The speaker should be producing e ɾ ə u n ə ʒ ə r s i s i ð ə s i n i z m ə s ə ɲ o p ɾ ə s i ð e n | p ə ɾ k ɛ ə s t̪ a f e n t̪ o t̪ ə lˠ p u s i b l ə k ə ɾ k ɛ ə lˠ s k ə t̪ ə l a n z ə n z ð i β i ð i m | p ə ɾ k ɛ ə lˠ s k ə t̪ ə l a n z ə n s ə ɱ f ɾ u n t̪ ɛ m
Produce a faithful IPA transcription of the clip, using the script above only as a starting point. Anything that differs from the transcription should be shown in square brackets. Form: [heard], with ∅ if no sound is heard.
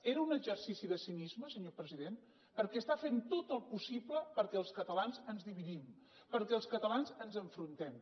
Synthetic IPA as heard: e ɾ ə u n ə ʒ ə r s i s i ð ə s i n i z m ə s ə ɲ o p ɾ ə [z] i ð e n | p ə ɾ k ɛ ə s t̪ a f e n t̪ o t̪ ə lˠ p u s i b l ə [p] ə ɾ k ɛ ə lˠ s k ə t̪ ə l a n z ə n z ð i β i ð i m | p ə ɾ k ɛ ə lˠ s k ə t̪ ə l a n z ə n [z] ə ɱ f ɾ u n t̪ ɛ m